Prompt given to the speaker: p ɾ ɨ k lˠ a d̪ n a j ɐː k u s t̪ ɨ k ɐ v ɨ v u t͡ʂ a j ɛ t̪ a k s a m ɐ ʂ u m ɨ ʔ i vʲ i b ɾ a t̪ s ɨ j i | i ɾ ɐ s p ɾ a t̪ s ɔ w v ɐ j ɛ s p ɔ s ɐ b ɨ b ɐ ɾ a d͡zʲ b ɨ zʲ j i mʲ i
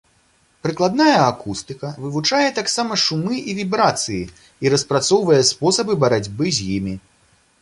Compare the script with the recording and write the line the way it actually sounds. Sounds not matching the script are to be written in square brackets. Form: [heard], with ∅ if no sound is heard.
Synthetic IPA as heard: p ɾ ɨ k lˠ a d̪ n a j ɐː k u s t̪ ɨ k ɐ v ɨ v u t͡ʂ a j ɛ t̪ a k s a m ɐ ʂ u m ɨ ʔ i vʲ i b ɾ a t̪ s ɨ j i | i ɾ ɐ s p ɾ a t̪ s ɔ w v ɐ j ɛ s p ɔ s ɐ b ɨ b ɐ ɾ a d͡zʲ b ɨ zʲ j i mʲ i